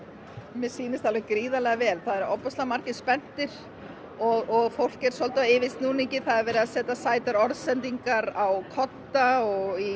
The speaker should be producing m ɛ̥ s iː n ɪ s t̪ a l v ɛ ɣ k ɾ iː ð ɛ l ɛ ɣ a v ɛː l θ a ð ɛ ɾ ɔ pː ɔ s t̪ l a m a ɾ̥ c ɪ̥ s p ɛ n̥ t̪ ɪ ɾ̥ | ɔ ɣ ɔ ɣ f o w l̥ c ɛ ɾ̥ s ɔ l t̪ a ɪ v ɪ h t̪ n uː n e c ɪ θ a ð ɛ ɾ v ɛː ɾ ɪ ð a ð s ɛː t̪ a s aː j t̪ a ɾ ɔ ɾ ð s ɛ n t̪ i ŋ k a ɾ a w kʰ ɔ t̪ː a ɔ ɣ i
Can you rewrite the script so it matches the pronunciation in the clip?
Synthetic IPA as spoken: m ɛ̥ s iː n ɪ s t̪ a l v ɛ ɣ k ɾ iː ð a l ɛ ɣ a v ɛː l θ a ð ɛ ɾ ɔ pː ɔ s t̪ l a m a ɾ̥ c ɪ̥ s p ɛ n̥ t̪ ɪ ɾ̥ | ɔ ɣ ɔ ɣ f o w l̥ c ɛ ɾ̥ s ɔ l t̪ a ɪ v ɪ s t̪ n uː n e c ɪ θ a ð ɛ ɾ v ɛː ɾ ɪ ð a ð s ɛː t̪ a s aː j t̪ a ɾ ɔ ɾ ð s ɛ n t̪ i ŋ k a ɾ a w kʰ ɔ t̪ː a ɔ ɣ i